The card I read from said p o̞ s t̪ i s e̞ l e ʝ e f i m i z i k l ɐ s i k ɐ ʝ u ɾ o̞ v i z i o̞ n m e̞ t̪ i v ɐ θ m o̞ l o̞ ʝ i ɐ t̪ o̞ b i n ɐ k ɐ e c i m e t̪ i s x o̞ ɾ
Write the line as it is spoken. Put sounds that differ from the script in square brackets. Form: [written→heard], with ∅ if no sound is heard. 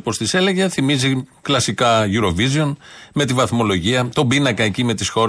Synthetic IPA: p o̞ s t̪ i s e̞ l e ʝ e [f→θ] i m i z i k l ɐ s i k ɐ ʝ u ɾ o̞ v i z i o̞ n m e̞ t̪ i v ɐ θ m o̞ l o̞ ʝ i ɐ t̪ o̞ b i n ɐ k ɐ e c i m e t̪ i s x o̞ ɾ